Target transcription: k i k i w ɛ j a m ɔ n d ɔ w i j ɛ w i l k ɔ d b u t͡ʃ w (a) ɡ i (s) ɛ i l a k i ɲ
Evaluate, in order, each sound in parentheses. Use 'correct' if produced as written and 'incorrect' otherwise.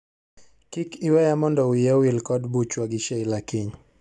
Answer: correct, incorrect: ʃ

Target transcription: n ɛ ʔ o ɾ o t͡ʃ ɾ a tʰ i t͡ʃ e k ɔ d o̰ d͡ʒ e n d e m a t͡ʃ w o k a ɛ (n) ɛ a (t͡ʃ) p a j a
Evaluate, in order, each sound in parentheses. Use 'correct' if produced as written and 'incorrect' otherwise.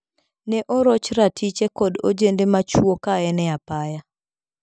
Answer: correct, incorrect: none

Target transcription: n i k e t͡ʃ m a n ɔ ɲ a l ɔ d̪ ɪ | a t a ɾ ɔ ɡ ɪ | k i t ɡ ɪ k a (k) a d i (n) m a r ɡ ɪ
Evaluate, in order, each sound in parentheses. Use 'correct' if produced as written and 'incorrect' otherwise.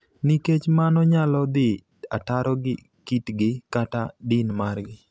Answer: incorrect: t, correct

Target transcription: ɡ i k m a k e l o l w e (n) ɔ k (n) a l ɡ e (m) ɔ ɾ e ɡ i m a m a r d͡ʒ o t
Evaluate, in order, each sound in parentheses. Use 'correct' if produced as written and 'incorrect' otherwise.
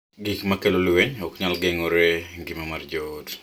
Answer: incorrect: ɲ, incorrect: ɲ, incorrect: ŋ

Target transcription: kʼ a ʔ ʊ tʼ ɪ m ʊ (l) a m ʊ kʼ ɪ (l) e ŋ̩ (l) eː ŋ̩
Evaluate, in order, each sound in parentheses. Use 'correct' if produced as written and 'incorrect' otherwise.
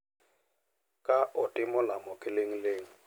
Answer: correct, correct, correct

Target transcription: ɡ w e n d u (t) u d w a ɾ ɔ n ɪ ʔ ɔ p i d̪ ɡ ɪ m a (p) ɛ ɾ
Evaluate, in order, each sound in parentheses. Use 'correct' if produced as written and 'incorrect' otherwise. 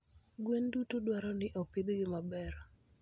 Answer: correct, incorrect: b

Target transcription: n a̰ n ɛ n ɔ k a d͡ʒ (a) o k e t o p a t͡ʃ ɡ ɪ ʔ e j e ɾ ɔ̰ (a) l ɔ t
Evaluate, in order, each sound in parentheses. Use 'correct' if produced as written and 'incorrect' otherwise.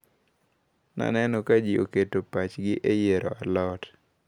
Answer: incorrect: i, correct

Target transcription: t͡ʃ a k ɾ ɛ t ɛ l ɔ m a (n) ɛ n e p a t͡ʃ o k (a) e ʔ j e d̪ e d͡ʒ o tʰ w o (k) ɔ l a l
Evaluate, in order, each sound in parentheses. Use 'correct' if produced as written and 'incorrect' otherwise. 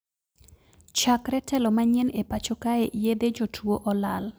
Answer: incorrect: ɲ, correct, incorrect: ʔ

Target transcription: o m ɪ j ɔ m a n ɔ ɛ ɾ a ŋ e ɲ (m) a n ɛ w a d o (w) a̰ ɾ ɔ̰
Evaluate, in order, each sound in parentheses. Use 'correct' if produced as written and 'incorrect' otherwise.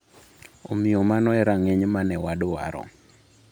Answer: correct, correct

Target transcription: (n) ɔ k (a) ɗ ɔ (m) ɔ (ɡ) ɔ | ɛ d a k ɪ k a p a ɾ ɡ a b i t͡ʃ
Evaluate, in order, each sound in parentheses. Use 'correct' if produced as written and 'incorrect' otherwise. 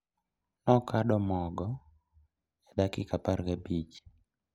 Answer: correct, correct, correct, correct

